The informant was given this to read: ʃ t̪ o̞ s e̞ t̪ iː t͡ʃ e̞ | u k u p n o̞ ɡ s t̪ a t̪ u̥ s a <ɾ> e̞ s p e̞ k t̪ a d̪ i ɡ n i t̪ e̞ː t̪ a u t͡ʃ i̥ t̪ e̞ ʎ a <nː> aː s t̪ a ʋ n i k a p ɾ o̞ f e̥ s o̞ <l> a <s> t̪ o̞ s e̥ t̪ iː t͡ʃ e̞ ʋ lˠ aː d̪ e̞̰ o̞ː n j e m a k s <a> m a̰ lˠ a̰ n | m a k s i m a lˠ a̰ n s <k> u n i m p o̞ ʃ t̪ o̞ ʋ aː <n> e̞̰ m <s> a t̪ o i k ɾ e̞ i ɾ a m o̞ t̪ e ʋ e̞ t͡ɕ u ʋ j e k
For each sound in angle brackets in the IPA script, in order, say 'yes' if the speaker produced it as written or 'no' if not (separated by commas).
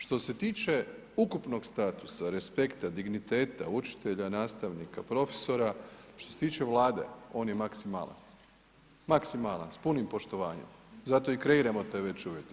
yes, no, no, no, no, no, no, no